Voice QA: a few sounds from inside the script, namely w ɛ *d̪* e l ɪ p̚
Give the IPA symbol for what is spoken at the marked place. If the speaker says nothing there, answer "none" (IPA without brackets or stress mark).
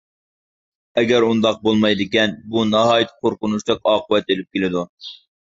t̪